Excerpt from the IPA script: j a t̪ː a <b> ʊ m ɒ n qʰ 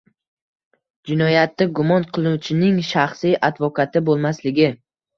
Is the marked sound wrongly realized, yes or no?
yes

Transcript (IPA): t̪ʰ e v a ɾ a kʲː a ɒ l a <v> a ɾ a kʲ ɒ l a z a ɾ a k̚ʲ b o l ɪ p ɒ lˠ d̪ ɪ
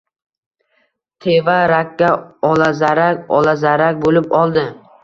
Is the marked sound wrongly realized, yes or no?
yes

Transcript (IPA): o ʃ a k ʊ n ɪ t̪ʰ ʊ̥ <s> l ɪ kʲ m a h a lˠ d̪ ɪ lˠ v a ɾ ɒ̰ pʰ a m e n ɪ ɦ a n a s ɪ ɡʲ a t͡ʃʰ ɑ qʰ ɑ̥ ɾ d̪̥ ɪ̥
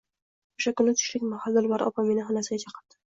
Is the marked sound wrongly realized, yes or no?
yes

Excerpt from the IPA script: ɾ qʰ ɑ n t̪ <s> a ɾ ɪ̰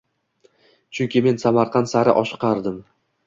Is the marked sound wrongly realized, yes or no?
no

